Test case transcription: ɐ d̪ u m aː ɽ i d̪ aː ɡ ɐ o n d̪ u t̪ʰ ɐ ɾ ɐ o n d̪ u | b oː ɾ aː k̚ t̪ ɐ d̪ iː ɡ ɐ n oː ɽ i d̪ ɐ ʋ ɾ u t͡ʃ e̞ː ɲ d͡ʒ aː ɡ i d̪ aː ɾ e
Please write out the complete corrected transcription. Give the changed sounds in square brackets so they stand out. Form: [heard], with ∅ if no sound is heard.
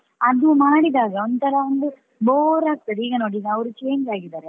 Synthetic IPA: ɐ d̪ u m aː ɽ i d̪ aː ɡ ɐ o n d̪ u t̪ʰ ɐ ɾ ɐ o n d̪ u | b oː ɾ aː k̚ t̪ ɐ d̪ iː ɡ ɐ n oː ɽ i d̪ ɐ ʋ ɾ u t͡ʃ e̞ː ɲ d͡ʒ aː ɡ i d̪ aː ɾ e